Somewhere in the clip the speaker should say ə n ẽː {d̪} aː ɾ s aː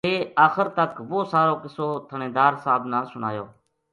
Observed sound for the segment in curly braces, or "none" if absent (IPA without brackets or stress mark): d̪